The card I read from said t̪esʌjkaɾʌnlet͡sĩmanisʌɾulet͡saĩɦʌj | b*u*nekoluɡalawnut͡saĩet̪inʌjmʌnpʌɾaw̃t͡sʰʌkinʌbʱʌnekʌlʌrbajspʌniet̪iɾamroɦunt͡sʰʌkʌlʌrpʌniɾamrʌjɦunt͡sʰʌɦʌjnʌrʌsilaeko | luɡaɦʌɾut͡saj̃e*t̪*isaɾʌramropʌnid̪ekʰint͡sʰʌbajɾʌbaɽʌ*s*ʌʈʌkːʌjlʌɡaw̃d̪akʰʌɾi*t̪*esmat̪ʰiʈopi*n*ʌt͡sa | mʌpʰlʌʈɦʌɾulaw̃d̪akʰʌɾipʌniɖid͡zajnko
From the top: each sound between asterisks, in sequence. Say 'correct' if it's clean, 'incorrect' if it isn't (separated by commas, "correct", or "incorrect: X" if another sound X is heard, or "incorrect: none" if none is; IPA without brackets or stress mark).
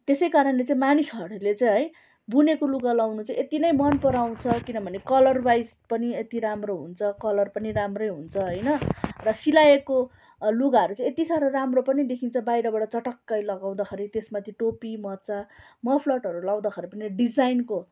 correct, correct, incorrect: t͡s, correct, incorrect: m